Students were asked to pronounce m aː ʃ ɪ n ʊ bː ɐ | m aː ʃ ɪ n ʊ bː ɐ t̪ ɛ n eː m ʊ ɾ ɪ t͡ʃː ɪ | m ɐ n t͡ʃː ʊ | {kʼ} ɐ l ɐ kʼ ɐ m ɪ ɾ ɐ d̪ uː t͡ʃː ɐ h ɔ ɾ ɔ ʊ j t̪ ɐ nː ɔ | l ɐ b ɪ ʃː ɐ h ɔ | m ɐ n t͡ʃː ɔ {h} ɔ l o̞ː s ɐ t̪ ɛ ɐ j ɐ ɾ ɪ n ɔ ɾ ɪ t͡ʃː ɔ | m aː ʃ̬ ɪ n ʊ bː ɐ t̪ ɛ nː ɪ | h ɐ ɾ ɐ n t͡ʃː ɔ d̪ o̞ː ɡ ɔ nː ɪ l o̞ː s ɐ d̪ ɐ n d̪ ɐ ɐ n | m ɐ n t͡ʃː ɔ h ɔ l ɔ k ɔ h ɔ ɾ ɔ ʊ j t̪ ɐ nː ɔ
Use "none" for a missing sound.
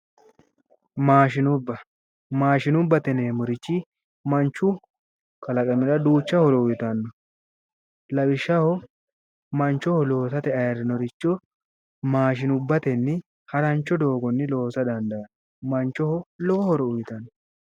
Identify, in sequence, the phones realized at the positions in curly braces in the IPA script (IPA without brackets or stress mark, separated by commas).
k, h